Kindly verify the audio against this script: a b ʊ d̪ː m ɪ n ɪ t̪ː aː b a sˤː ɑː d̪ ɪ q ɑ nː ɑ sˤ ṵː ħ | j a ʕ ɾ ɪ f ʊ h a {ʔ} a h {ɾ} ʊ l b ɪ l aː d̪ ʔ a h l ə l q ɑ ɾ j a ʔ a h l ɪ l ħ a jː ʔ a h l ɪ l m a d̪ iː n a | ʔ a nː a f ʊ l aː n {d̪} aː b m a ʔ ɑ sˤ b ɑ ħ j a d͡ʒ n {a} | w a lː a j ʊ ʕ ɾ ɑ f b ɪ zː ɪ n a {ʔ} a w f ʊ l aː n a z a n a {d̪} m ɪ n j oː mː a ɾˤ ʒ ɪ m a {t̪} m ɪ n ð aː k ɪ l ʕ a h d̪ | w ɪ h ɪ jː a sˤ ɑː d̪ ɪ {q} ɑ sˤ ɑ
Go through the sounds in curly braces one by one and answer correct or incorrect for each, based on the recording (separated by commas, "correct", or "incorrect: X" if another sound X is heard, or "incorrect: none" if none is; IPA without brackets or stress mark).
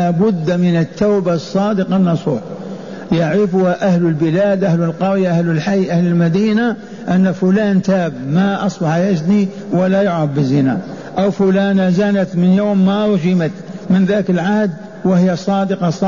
correct, incorrect: l, incorrect: t̪, incorrect: i, correct, incorrect: t̪, correct, correct